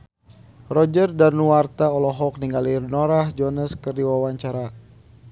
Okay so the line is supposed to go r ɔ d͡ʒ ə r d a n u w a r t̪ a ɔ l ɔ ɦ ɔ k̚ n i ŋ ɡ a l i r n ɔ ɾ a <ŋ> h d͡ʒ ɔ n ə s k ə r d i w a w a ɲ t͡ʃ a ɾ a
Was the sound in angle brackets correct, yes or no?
no